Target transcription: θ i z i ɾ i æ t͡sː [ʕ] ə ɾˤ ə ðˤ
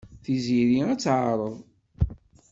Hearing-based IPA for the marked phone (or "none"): ʕ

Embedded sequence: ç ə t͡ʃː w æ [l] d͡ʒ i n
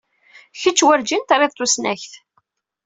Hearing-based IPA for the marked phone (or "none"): ɾ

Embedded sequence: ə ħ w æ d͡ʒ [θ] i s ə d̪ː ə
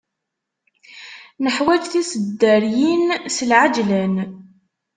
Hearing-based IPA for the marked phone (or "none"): θ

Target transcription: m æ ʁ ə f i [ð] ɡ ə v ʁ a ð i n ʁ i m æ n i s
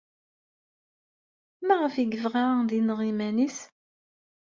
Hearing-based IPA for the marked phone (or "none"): none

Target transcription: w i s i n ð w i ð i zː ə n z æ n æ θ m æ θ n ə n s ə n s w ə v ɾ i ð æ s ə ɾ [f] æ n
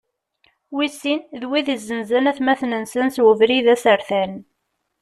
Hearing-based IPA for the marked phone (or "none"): θ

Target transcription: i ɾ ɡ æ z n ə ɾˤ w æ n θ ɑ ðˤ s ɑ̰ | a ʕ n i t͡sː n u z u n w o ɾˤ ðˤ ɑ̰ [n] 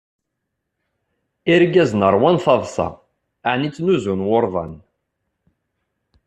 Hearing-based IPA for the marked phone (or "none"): n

